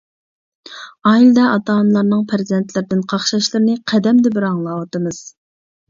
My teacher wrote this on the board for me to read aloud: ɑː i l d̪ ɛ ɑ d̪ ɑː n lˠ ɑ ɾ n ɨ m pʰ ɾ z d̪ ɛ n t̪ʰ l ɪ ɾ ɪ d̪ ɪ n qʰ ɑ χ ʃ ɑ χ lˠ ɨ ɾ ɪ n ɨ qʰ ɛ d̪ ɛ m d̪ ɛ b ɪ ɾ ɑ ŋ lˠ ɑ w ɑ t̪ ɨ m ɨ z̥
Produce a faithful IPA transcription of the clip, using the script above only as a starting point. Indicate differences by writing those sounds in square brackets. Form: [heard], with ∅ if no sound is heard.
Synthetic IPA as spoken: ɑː i l d̪ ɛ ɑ [t̪] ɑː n lˠ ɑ ɾ n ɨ [ŋ] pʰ ɾ z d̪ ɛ n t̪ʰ l ɪ ɾ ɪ d̪ ɪ n qʰ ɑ χ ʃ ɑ [ʃ] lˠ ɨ ɾ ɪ n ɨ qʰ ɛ d̪ ɛ m d̪ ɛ b ɪ ɾ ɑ ŋ lˠ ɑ w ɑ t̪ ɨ m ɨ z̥